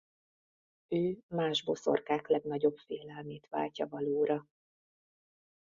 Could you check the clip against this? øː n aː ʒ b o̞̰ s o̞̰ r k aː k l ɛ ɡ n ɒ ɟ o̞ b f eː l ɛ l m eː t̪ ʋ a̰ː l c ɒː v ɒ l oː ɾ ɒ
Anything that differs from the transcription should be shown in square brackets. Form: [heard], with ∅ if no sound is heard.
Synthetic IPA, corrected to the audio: øː [m] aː ʒ b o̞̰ s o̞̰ r k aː k l ɛ ɡ n ɒ ɟ o̞ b f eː l ɛ l m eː t̪ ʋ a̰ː l c [ɒ] v ɒ l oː ɾ ɒ